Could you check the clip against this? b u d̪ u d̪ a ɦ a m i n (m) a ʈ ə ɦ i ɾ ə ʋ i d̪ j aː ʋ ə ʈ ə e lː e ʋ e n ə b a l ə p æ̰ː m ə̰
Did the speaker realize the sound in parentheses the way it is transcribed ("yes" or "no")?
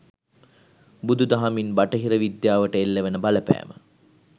no